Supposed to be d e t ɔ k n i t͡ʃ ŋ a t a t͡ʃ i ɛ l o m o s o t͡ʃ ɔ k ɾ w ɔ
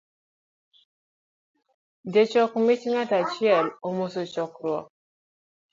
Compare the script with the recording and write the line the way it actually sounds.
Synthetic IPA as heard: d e t͡ʃ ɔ k m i t͡ʃ ŋ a t a t͡ʃ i ɛ l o m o s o t͡ʃ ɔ k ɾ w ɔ